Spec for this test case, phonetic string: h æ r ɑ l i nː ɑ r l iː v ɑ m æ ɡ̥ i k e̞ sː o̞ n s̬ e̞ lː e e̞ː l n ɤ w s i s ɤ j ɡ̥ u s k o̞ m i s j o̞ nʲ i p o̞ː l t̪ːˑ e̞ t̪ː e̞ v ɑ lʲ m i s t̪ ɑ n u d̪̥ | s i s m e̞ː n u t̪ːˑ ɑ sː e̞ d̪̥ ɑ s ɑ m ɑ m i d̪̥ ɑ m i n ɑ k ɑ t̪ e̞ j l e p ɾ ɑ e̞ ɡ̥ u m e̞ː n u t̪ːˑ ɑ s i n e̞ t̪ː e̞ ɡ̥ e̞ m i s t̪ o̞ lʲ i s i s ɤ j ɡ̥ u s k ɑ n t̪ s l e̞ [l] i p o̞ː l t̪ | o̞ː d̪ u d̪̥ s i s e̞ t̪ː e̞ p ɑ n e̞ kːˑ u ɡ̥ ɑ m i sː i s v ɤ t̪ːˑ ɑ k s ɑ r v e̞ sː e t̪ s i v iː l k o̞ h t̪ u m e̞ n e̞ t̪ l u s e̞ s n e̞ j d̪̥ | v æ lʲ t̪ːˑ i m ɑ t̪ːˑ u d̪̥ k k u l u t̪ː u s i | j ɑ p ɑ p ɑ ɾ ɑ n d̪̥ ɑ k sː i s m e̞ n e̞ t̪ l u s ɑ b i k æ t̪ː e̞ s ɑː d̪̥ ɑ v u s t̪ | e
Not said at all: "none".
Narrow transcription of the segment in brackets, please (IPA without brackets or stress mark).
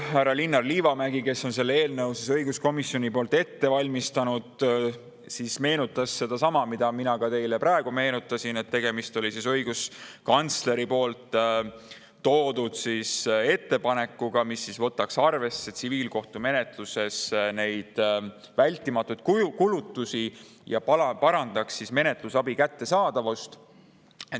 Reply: ɾ